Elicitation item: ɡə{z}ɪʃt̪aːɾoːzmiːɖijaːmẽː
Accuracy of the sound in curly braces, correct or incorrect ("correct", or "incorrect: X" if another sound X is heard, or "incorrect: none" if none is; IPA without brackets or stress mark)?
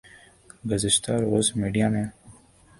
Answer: correct